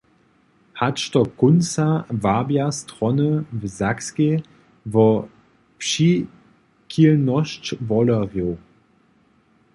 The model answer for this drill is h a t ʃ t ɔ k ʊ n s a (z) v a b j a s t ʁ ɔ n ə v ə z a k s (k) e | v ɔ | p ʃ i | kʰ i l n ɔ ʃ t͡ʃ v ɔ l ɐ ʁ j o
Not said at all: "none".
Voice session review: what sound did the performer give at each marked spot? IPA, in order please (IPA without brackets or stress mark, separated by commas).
none, k